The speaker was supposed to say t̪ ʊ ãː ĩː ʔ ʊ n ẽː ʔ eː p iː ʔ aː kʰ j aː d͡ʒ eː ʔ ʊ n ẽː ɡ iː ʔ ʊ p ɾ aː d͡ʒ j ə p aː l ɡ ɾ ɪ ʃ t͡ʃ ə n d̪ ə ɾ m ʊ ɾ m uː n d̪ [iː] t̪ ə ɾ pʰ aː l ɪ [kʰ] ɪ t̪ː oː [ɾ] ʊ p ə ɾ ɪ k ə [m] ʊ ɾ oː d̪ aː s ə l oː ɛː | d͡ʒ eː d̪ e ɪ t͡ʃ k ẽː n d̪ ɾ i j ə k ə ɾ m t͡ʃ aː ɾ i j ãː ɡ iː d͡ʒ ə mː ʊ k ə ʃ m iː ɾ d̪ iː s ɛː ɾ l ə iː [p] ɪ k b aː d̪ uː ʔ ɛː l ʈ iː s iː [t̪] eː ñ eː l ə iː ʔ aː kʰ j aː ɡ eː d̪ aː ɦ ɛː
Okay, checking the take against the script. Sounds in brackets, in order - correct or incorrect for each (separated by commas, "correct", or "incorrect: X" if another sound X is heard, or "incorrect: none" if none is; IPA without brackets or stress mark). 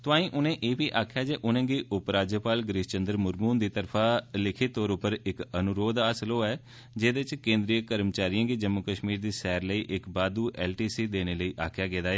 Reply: correct, correct, correct, incorrect: n, incorrect: ʔ, incorrect: d̪